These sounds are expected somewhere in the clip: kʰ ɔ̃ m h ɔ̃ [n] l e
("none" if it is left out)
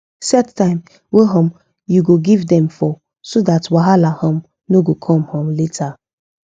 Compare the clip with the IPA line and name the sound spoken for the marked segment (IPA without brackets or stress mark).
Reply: m